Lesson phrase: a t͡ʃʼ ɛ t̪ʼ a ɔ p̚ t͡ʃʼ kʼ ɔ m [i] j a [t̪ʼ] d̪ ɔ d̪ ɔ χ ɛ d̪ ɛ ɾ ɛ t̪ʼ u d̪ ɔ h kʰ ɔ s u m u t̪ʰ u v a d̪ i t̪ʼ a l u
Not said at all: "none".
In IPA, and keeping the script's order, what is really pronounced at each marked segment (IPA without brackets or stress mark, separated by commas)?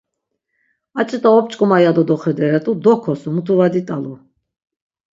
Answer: a, none